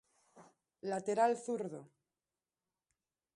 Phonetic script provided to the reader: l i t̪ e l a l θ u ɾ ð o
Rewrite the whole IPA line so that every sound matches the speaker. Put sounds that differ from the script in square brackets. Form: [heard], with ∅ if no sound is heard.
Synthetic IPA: l [a] t̪ e [ɾ] a l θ u ɾ ð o

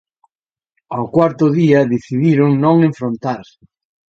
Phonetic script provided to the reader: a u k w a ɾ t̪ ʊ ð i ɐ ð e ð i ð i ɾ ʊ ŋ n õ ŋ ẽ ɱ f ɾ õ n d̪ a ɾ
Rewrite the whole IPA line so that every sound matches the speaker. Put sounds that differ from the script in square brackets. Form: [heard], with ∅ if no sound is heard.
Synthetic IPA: a [w] k w a ɾ t̪ ʊ ð i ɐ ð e [θ] i ð i ɾ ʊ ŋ n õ ŋ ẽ ɱ f ɾ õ n [t̪] a ɾ

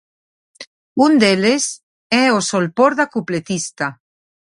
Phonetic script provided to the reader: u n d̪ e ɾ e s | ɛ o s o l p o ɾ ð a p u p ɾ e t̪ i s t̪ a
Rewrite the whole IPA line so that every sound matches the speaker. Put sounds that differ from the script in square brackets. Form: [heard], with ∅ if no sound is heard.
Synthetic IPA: u n d̪ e [l] e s | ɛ o s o l p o ɾ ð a [k] u p [l] e t̪ i s t̪ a

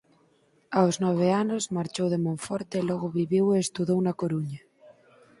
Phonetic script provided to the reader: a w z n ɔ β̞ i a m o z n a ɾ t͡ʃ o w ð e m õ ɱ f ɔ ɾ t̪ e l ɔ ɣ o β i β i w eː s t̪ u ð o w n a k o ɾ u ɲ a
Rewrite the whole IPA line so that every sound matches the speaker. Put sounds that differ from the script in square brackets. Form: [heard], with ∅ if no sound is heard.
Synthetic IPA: a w z n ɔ β̞ [e] a [n] o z [m] a ɾ t͡ʃ o w ð e m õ ɱ f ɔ ɾ t̪ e l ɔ ɣ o β i β i w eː s t̪ u ð o w n a k o ɾ u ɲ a

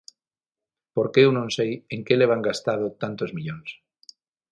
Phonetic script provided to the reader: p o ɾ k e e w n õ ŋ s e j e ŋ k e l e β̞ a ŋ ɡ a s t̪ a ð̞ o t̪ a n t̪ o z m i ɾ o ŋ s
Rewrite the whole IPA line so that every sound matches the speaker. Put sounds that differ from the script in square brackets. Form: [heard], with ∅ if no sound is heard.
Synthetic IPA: p o ɾ k e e w n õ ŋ s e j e ŋ k e l e β̞ a ŋ ɡ a s t̪ a ð̞ o t̪ a n t̪ o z m i [ʎ] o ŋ s

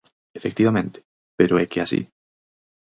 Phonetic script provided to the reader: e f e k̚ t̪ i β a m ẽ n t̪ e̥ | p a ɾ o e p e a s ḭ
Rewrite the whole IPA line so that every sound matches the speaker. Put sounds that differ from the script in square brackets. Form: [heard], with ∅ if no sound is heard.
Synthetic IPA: e f e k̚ t̪ i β a m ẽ n t̪ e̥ | p [e] ɾ o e [k] e a s ḭ

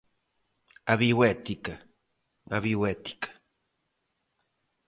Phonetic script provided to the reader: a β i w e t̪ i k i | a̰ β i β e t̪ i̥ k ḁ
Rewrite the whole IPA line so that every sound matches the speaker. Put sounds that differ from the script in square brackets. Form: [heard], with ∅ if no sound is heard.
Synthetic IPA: a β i w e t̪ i k [a] | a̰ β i [w] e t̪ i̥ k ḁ

